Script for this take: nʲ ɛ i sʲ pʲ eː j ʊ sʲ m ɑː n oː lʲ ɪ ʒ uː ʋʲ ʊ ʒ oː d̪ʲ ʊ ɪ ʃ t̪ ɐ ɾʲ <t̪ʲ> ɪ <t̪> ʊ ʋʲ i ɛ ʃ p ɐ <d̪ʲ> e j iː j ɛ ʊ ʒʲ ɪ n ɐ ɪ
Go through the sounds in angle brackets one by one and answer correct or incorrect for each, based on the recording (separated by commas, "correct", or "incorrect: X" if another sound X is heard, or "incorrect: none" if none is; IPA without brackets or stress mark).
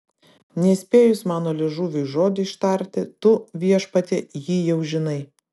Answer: correct, correct, incorrect: t̪ʲ